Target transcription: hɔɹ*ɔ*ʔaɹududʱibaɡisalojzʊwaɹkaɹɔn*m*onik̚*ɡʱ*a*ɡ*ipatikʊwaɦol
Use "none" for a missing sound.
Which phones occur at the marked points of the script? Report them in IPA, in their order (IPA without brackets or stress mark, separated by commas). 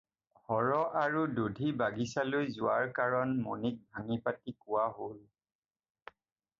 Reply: ɔ, m, bʱ, ŋ